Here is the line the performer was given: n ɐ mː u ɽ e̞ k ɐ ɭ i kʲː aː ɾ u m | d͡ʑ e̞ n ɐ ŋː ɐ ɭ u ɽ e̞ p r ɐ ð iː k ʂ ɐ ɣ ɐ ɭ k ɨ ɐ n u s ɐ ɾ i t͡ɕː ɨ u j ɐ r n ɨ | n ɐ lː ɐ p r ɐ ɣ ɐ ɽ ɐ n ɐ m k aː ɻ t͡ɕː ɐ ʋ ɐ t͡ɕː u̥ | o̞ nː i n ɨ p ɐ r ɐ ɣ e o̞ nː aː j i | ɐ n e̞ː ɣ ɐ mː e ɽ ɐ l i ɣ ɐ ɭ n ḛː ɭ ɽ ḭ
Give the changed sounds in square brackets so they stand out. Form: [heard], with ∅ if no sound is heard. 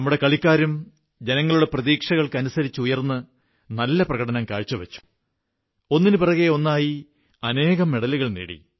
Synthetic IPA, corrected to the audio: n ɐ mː u ɽ e̞ k ɐ ɭ i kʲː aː ɾ u m | d͡ʑ e̞ n ɐ ŋː ɐ ɭ u ɽ e̞ p r ɐ ð iː k ʂ ɐ ɣ ɐ ɭ k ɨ ɐ n u s ɐ ɾ i t͡ɕː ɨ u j ɐ r [nː] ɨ | n ɐ lː ɐ p r ɐ ɣ ɐ ɽ ɐ n ɐ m k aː ɻ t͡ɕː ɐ ʋ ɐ t͡ɕː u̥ | o̞ nː i n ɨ p ɐ r ɐ ɣ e o̞ nː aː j i | ɐ n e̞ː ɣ ɐ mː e ɽ ɐ l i ɣ ɐ ɭ n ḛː [∅] ɽ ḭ